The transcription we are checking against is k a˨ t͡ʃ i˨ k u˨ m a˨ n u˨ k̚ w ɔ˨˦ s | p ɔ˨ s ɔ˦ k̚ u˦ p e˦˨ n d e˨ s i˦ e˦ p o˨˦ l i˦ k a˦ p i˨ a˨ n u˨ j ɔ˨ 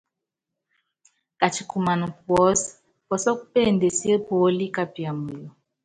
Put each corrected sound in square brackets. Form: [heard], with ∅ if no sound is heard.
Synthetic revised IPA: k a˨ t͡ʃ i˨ k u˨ m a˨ n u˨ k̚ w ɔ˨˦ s | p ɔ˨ s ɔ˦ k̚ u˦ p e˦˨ n d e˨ s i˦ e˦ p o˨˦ l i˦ k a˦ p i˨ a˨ [m] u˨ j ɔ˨